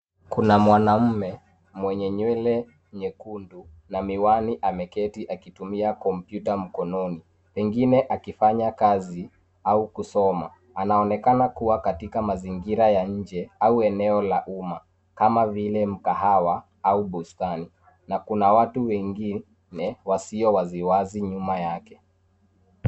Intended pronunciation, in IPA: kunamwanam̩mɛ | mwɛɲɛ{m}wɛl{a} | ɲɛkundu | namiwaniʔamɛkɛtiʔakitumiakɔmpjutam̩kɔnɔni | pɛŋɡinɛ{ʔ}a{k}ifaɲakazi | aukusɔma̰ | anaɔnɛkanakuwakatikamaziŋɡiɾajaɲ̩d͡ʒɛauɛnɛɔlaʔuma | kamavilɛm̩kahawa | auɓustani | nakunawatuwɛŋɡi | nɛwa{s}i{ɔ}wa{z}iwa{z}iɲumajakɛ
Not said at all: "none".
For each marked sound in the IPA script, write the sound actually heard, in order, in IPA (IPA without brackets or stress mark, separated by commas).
ɲ, ɛ, ʔ, k, s, ɔ, z, z